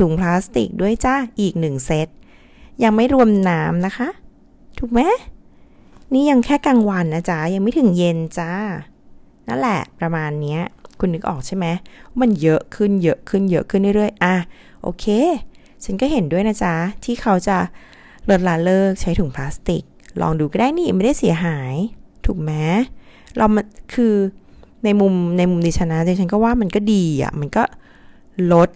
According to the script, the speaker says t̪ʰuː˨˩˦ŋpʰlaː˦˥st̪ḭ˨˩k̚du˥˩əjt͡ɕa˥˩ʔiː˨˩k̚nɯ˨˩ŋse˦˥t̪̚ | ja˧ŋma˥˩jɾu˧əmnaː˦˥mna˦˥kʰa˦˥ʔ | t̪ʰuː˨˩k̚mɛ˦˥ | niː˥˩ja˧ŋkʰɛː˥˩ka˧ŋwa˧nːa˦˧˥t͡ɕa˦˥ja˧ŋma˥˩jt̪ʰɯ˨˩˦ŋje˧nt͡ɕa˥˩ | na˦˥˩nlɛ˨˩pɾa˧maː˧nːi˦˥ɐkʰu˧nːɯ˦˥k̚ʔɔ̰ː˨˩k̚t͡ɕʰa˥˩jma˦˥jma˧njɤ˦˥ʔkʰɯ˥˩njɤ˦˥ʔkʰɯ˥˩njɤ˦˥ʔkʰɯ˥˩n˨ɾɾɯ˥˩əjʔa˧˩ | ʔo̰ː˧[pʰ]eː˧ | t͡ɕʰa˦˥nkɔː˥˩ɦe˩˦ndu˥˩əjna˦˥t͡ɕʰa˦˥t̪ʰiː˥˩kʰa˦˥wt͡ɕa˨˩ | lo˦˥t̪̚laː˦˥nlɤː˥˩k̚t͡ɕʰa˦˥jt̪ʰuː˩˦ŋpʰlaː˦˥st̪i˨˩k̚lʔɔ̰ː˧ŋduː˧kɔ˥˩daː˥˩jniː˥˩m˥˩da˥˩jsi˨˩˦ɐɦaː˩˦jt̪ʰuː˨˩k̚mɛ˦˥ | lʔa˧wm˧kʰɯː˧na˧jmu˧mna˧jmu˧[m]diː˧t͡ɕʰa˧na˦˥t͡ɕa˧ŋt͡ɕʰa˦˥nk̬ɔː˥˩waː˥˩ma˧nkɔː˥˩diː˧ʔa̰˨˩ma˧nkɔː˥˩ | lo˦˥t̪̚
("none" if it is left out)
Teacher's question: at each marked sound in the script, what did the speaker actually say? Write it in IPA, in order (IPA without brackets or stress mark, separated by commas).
kʰ, m